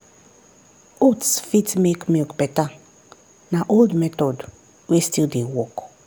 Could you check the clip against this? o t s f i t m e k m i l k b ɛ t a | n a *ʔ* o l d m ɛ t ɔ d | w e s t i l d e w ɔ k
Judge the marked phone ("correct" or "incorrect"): correct